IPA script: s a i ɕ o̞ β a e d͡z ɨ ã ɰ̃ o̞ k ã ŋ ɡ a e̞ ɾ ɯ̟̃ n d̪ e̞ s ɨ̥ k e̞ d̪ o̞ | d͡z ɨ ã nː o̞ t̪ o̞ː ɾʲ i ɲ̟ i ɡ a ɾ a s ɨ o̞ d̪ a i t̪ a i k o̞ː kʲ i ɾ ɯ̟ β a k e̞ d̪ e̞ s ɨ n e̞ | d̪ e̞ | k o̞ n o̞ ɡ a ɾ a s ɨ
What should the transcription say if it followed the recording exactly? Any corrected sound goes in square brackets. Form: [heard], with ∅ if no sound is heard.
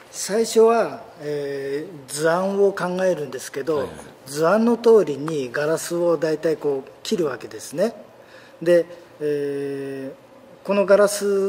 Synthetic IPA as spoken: s a i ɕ o̞ β a e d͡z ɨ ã ɰ̃ o̞ k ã ŋ ɡ a e̞ ɾ ɯ̟̃ n d̪ e̞ s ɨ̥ k e̞ d̪ o̞ | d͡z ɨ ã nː o̞ t̪ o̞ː ɾʲ i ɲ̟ i ɡ a ɾ a s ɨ o̞ d̪ a i t̪ a i k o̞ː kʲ i ɾ ɯ̟ β a k e̞ d̪ e̞ s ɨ n e̞ | d̪ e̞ | k o̞ n o̞ ɡ a ɾ a s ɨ